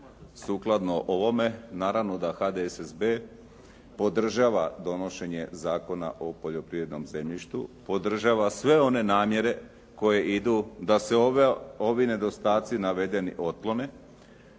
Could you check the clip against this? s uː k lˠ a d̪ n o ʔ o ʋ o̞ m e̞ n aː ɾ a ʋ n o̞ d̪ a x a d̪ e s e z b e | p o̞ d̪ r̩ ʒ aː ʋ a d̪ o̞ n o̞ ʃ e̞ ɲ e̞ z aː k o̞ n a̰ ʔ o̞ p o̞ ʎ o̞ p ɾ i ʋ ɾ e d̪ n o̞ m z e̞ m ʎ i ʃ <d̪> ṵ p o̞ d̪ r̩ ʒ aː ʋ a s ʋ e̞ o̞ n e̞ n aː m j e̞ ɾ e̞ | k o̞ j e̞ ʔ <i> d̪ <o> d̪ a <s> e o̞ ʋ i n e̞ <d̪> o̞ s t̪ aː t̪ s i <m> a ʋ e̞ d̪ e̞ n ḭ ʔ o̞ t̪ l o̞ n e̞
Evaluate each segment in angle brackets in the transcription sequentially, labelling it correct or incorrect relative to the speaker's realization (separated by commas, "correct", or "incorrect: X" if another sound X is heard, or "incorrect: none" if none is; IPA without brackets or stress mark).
incorrect: t̪, correct, incorrect: u, correct, correct, incorrect: n